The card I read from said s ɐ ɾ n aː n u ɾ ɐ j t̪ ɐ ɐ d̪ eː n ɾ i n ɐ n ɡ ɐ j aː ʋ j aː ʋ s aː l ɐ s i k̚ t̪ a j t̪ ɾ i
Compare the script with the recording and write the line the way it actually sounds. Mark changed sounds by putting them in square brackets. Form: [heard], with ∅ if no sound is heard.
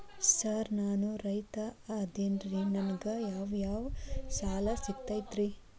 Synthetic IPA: s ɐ ɾ n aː n u ɾ ɐ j t̪ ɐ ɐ d̪ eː n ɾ i n ɐ n ɡ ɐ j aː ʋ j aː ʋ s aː l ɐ s i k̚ t̪ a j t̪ ɾ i